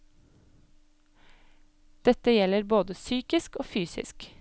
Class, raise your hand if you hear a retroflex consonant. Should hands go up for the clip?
no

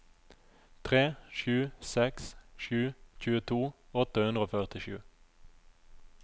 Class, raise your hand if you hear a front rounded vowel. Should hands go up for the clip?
yes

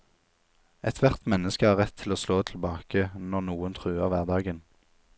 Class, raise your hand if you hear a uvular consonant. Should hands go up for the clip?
yes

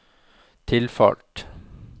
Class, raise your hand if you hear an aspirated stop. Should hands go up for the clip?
yes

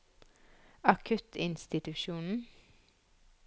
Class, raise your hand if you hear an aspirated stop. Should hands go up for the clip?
yes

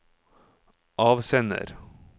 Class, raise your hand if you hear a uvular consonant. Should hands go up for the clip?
no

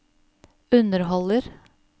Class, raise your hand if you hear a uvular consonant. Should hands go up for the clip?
no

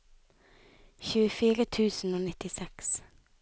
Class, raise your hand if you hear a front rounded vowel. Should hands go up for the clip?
no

